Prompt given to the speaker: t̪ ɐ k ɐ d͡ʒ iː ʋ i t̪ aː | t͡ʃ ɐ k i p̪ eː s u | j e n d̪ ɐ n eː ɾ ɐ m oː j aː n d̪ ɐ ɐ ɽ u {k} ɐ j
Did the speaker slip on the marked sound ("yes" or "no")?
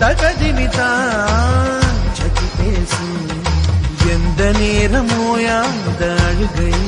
yes